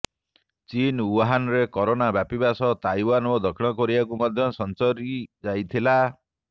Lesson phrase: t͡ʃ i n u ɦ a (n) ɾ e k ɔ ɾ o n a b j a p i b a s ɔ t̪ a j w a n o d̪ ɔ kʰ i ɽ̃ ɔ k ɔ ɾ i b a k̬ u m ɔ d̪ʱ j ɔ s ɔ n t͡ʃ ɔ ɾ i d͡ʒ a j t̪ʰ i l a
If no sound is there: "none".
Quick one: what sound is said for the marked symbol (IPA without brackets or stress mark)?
n